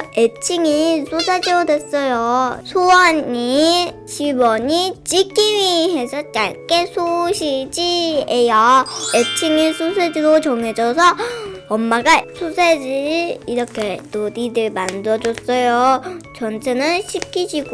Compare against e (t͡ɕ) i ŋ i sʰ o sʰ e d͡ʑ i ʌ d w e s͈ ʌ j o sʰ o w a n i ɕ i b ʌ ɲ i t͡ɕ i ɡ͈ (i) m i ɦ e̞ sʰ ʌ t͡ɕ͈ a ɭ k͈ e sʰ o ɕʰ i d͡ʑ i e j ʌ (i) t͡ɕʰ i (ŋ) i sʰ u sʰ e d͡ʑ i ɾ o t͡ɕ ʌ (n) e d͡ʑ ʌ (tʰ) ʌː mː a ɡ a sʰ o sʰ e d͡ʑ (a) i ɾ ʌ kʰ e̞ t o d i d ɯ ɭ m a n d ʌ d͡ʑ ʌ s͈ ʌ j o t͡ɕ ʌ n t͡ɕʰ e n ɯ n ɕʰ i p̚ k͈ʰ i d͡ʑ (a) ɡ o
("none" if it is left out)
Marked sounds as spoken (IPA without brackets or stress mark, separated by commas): t͡ɕʰ, i, e, ŋ, ŋ, sʰ, i, i